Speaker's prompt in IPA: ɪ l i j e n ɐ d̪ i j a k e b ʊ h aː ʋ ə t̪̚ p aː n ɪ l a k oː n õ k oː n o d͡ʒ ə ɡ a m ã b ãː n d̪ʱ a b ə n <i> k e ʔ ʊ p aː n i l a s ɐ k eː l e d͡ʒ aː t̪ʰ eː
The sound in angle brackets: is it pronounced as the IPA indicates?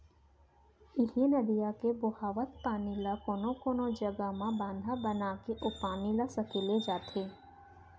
no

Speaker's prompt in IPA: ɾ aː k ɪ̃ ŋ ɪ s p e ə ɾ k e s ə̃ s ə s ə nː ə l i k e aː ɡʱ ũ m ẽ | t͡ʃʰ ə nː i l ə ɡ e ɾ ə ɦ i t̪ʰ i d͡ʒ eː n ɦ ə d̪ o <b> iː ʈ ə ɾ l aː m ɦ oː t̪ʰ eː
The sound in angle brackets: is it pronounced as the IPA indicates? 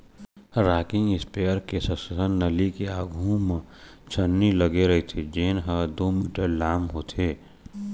no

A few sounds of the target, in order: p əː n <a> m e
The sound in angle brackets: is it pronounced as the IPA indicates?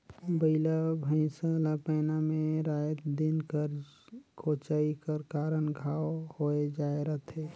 yes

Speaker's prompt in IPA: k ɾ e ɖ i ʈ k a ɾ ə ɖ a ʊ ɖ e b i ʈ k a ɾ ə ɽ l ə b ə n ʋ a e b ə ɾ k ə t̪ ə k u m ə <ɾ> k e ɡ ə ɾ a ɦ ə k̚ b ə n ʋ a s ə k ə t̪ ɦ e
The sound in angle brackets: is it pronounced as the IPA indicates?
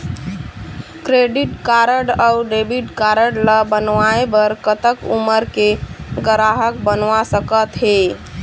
yes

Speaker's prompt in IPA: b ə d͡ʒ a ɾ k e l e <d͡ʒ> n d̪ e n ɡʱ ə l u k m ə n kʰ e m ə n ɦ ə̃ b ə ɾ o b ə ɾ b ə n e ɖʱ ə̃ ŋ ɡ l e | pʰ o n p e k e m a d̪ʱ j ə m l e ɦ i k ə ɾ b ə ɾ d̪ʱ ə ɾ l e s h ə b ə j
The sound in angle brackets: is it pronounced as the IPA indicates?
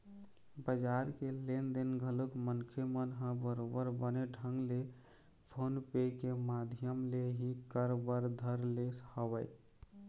no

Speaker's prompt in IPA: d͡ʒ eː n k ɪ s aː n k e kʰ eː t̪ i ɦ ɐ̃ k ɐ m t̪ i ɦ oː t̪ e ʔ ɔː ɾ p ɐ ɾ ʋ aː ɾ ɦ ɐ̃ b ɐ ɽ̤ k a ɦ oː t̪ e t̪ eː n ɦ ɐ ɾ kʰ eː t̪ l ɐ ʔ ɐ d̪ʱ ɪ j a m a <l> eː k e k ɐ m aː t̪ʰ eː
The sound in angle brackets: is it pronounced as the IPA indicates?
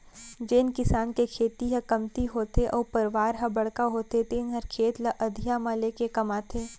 yes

